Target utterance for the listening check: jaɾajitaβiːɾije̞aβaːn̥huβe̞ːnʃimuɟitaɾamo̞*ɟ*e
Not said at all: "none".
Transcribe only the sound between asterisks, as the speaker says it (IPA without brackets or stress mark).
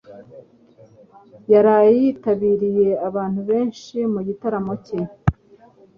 c